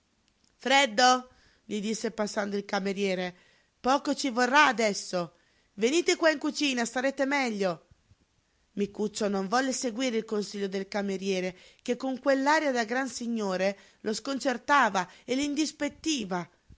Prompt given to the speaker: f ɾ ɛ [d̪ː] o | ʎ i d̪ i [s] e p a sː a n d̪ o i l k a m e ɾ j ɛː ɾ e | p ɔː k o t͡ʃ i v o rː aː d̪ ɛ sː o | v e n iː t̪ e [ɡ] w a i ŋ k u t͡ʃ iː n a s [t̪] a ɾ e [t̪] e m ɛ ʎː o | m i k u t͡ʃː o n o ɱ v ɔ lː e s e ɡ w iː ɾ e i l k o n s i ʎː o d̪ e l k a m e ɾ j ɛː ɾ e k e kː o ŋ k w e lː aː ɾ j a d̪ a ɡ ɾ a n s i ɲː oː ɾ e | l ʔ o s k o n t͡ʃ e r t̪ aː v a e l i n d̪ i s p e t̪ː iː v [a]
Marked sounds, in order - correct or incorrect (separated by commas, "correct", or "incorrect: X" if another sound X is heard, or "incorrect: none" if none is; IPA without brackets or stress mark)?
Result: correct, incorrect: sː, incorrect: k, correct, correct, correct